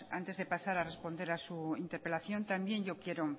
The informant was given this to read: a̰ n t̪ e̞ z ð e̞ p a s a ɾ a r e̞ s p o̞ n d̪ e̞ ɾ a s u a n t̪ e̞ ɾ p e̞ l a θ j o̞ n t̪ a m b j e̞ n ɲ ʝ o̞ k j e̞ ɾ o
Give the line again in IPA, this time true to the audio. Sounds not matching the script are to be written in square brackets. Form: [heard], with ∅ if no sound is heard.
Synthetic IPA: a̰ n t̪ e̞ z ð e̞ p a s a ɾ a r e̞ s p o̞ n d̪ e̞ ɾ a s u [i] n t̪ e̞ ɾ p e̞ l a θ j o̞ n t̪ a m b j e̞ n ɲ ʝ o̞ k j e̞ ɾ o